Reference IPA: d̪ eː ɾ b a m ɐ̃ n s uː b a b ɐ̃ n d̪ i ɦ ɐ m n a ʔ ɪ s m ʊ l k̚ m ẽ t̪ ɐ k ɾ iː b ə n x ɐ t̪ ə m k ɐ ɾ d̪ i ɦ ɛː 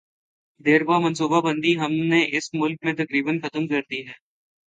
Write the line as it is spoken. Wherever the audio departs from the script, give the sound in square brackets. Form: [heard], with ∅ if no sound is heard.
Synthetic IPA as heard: d̪ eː ɾ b a m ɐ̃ n s uː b a b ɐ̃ n d̪ i ɦ ɐ m n [e] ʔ ɪ s m ʊ l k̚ m ẽ t̪ ɐ k ɾ iː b ə n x ɐ t̪ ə m k ɐ ɾ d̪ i ɦ ɛː

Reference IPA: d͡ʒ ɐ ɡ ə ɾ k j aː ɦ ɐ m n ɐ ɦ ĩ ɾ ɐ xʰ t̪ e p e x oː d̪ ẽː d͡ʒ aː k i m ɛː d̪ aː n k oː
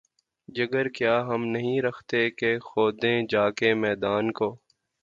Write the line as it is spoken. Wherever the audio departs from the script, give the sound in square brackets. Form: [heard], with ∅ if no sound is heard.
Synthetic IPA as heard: d͡ʒ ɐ ɡ ə ɾ k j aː ɦ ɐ m n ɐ ɦ ĩ ɾ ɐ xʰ t̪ e [k] e x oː d̪ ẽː d͡ʒ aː k [e] m ɛː d̪ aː n k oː

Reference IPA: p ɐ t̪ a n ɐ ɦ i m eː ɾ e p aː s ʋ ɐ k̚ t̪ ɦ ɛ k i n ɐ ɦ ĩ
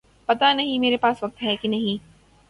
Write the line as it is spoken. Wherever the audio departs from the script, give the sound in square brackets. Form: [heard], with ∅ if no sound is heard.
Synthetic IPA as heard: p ɐ t̪ a n ɐ ɦ [ĩ] m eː ɾ e p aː s ʋ ɐ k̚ t̪ ɦ ɛ k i n ɐ ɦ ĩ

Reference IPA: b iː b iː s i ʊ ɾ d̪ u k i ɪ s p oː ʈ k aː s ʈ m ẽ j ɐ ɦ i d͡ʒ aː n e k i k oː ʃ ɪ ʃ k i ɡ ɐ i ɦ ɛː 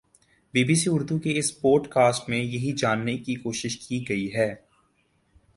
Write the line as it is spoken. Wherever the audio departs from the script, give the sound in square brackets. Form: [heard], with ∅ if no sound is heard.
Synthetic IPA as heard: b iː b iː s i ʊ ɾ d̪ u k [e] ɪ s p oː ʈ k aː s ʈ m ẽ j ɐ ɦ i d͡ʒ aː [nː] e k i k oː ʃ ɪ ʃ k i ɡ ɐ i ɦ ɛː

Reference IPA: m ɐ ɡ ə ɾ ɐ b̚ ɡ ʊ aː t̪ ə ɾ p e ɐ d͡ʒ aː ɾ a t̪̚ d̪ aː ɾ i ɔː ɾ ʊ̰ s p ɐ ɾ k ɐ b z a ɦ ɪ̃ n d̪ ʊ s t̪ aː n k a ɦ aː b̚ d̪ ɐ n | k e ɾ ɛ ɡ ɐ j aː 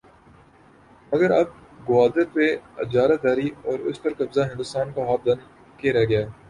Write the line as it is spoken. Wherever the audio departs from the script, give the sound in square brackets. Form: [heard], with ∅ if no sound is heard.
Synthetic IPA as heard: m ɐ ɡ ə ɾ ɐ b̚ ɡ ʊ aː [d̪] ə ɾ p e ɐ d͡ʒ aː ɾ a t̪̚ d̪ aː ɾ i ɔː ɾ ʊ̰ s p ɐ ɾ k ɐ b z a ɦ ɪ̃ n d̪ ʊ s t̪ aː n k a ɦ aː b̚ d̪ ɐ n | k e ɾ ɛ ɡ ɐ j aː

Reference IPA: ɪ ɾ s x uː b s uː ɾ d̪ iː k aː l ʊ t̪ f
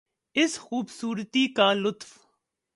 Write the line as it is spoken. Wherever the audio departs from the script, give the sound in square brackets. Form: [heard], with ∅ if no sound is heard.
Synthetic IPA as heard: ɪ [∅] s x uː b s uː ɾ [t̪] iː k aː l ʊ t̪ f

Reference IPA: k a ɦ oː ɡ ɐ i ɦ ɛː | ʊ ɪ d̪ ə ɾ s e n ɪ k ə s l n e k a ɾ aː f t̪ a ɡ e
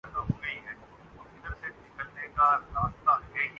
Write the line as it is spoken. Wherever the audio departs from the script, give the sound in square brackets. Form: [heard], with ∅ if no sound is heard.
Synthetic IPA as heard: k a ɦ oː ɡ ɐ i ɦ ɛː | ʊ ɪ d̪ ə ɾ s e n ɪ k ə [∅] l n e k a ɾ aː [s] t̪ a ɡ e

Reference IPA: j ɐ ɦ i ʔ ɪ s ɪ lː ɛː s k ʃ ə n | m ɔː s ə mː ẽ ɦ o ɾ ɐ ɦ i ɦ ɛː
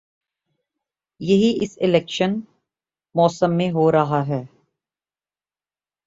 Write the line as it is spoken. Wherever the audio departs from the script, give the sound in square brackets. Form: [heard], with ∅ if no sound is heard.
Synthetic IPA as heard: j ɐ ɦ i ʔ ɪ s ɪ [l] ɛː [∅] k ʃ ə n | m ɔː s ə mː ẽ ɦ o ɾ ɐ ɦ [a] ɦ ɛː

